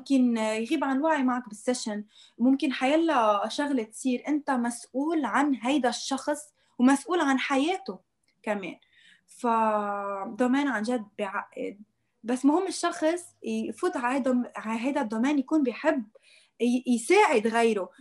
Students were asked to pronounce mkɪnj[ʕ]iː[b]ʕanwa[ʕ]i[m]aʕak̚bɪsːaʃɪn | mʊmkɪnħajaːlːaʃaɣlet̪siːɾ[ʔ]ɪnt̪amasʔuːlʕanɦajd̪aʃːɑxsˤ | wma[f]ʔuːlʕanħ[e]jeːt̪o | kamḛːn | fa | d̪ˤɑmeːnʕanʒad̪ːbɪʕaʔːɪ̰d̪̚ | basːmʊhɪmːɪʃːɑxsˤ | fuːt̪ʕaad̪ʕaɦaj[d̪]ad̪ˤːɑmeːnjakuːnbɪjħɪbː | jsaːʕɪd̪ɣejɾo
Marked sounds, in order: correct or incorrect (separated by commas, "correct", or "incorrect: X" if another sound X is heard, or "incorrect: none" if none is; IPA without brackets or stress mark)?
incorrect: ɣ, correct, correct, correct, correct, incorrect: s, incorrect: a, correct